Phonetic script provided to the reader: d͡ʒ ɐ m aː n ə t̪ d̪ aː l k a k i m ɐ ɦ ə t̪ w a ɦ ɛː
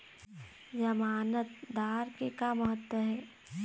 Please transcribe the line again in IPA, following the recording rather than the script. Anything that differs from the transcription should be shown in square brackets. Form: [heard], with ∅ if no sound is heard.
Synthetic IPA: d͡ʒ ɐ m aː n ə t̪ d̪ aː [ɾ] k [e] k [a] m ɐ ɦ ə t̪ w [ə] ɦ ɛː